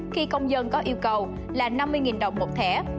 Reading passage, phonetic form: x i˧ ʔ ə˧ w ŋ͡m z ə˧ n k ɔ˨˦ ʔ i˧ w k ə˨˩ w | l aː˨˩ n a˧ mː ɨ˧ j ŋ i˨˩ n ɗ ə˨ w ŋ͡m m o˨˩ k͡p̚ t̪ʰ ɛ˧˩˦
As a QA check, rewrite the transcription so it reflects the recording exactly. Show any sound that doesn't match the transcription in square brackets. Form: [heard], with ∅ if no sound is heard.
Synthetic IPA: x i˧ [k] ə˧ w ŋ͡m z ə˧ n k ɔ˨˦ ʔ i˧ w k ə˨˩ w | l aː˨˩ n a˧ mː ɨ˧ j ŋ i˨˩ n ɗ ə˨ w ŋ͡m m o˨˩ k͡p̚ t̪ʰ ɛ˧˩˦